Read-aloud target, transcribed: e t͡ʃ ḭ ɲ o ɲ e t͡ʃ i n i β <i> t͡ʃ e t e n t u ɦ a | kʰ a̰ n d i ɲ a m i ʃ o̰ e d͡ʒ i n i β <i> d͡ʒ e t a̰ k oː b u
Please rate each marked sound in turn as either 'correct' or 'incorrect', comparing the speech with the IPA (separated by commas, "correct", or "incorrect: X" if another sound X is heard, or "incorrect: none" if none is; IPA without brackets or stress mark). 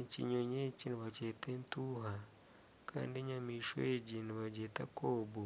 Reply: incorrect: a, incorrect: a